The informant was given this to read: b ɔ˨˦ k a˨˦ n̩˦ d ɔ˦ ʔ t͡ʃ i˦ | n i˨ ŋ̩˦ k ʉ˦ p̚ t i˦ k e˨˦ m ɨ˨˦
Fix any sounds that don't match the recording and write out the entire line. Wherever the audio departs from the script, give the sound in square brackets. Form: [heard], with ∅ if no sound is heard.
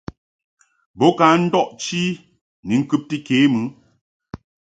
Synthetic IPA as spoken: b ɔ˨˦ k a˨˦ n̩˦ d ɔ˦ ʔ t͡ʃ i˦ | n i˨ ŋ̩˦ k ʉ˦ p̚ t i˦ k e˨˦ m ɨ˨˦